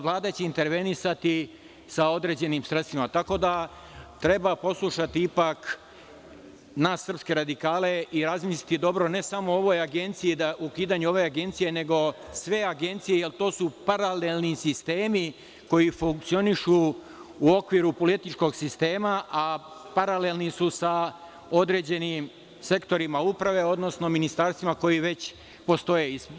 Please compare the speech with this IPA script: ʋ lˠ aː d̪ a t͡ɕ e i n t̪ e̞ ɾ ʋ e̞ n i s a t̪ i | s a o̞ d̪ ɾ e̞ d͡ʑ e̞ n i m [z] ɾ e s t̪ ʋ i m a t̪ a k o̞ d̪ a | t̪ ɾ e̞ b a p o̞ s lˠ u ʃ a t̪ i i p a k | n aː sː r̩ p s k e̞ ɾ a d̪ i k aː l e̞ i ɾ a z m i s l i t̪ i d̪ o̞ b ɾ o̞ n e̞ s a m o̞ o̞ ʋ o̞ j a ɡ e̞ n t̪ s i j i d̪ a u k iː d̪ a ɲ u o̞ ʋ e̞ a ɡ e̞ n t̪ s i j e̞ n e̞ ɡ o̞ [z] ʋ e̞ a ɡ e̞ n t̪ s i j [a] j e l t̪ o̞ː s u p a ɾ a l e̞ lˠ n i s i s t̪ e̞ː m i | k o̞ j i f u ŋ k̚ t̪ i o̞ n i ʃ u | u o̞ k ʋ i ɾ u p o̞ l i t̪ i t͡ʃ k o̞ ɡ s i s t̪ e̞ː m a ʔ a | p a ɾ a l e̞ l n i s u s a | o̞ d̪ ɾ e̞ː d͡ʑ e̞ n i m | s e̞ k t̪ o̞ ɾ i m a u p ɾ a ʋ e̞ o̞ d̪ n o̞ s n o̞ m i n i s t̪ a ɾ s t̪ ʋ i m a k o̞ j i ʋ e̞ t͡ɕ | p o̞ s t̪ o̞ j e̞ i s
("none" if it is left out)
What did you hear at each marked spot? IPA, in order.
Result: s, s, e

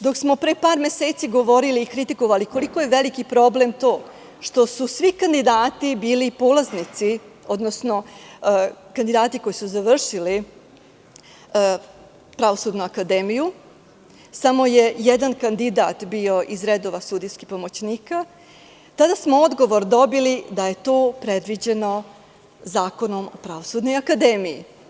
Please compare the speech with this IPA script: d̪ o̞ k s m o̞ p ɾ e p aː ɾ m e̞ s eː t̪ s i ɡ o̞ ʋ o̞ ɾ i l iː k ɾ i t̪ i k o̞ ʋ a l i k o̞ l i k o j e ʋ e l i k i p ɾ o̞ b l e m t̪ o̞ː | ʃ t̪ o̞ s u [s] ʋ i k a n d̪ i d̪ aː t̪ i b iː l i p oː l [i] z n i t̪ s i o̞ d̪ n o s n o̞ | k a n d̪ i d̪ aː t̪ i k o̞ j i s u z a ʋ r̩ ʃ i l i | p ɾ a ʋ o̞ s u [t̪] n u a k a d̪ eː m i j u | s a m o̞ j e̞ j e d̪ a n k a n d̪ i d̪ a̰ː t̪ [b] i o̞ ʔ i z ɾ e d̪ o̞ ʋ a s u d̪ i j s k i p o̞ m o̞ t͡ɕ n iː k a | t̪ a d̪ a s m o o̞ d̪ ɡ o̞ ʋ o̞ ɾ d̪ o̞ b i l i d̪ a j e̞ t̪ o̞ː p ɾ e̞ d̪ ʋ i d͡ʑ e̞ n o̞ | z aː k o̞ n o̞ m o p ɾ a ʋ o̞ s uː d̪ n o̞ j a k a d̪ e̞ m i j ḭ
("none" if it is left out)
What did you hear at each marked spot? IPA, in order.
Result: s, a, d̪, b

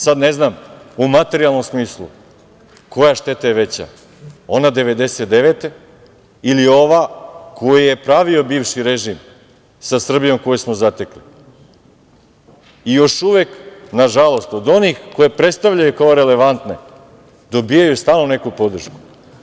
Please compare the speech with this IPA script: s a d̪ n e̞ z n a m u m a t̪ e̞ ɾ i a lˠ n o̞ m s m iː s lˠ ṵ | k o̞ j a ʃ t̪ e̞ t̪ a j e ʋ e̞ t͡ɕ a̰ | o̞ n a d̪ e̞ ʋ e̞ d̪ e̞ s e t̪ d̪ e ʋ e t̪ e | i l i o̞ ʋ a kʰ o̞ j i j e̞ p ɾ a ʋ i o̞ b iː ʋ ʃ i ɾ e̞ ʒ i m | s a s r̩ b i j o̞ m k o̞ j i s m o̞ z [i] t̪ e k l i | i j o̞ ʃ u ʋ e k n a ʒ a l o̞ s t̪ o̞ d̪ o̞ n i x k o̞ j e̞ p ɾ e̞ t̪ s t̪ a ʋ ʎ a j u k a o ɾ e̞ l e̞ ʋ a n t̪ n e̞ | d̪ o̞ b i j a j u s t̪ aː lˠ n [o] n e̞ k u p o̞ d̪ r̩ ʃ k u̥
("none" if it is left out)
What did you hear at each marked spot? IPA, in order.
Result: a, o

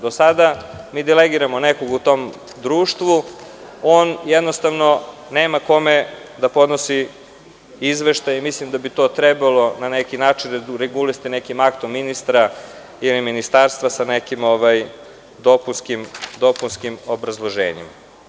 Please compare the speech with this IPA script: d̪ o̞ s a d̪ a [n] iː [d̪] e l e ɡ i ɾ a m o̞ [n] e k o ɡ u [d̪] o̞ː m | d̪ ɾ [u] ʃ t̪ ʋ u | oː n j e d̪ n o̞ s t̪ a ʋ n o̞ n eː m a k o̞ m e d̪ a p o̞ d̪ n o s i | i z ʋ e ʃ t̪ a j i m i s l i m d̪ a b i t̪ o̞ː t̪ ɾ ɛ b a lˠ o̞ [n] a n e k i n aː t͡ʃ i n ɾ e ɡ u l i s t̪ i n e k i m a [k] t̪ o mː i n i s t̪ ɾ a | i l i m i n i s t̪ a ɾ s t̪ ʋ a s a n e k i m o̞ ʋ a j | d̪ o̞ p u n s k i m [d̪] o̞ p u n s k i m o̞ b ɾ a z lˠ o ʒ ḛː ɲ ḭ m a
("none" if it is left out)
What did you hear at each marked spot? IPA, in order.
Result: m, d̪, n, t̪, uː, n, k, d̪

